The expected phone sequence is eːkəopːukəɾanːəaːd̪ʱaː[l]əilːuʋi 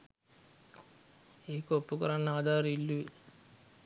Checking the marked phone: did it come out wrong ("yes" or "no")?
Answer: yes